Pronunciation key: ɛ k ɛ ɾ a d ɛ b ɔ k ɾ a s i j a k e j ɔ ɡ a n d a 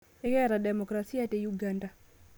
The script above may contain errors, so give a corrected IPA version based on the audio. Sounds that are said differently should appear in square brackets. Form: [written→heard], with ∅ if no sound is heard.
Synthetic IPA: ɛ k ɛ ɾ a d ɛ [b→m] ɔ k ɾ a s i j a [k→t] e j [ɔ→u] ɡ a n d a